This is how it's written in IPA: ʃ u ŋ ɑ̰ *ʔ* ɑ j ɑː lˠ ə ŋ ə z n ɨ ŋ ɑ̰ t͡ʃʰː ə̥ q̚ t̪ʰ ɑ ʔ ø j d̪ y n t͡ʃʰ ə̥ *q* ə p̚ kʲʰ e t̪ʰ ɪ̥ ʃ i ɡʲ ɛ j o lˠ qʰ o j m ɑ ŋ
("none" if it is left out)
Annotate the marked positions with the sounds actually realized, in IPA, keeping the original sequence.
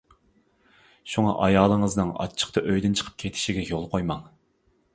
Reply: ʔ, qʰ

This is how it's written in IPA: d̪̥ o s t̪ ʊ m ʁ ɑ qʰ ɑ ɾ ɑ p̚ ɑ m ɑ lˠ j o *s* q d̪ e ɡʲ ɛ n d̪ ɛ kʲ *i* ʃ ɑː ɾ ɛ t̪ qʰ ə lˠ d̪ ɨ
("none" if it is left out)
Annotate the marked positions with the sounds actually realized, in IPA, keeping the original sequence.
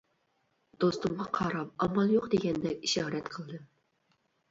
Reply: none, i

